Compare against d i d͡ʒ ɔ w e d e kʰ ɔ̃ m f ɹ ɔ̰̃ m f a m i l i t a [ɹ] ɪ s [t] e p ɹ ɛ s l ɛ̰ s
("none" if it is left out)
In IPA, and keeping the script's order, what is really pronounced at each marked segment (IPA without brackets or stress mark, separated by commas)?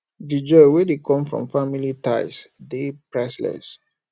none, d